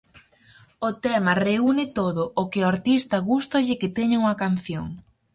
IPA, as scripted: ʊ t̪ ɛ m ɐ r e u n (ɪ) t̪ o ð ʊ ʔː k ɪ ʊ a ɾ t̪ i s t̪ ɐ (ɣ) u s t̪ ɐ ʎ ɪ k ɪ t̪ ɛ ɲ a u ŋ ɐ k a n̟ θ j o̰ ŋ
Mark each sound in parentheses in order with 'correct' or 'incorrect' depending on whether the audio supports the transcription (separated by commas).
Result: correct, correct